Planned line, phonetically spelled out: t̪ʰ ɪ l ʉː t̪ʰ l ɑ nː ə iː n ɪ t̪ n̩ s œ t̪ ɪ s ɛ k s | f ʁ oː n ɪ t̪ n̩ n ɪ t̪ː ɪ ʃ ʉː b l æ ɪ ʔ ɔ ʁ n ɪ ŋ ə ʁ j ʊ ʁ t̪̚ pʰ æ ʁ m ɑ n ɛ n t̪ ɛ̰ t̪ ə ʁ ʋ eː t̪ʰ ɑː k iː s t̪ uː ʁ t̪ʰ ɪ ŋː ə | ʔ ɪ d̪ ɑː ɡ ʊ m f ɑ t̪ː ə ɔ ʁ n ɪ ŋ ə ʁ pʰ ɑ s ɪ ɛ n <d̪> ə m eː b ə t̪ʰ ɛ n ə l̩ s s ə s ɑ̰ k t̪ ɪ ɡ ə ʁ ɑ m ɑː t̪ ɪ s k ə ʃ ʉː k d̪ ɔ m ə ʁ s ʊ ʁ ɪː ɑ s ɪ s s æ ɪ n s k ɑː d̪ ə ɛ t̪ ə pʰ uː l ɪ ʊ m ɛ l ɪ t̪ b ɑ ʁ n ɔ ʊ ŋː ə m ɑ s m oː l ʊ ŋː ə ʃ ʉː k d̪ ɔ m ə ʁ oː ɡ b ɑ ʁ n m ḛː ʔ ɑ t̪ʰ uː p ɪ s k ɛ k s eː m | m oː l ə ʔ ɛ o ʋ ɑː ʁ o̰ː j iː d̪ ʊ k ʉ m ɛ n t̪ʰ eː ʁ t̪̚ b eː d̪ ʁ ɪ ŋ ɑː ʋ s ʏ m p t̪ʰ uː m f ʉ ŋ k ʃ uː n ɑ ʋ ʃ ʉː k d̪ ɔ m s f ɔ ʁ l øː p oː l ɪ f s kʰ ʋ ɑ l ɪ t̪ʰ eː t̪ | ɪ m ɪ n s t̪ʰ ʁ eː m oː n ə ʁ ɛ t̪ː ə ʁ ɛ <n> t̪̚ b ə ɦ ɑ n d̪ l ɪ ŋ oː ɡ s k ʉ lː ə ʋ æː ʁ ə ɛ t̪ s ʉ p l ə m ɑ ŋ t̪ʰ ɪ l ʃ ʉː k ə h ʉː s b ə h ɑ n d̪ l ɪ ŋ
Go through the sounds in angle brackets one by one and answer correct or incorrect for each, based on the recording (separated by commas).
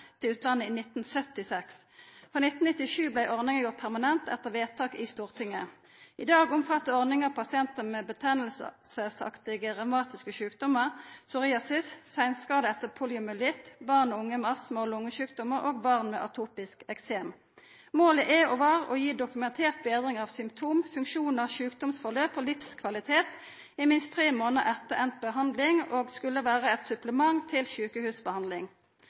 incorrect, correct